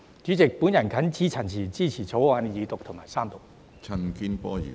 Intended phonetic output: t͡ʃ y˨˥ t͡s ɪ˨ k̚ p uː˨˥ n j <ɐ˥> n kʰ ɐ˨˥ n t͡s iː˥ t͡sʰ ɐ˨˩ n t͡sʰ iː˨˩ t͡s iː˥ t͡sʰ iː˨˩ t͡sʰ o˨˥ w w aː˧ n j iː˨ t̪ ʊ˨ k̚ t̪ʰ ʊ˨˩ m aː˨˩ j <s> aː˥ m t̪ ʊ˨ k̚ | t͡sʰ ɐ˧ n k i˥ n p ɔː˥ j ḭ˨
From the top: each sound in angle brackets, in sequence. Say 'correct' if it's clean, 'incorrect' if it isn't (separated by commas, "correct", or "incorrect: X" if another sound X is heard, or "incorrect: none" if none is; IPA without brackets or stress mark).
incorrect: ɐ˨˩, correct